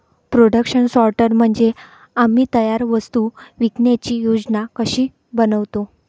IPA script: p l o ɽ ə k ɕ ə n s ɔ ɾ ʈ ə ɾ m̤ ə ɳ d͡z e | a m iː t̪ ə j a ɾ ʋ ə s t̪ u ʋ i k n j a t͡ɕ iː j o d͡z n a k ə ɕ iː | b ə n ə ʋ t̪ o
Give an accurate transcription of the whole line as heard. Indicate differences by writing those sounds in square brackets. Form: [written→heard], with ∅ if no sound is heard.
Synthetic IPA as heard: p [l→ɾ] o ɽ ə k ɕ ə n s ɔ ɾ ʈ ə ɾ m̤ ə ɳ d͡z e | a m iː t̪ ə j a ɾ ʋ ə s t̪ u ʋ i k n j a t͡ɕ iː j o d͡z n a k ə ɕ iː | b ə n ə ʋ t̪ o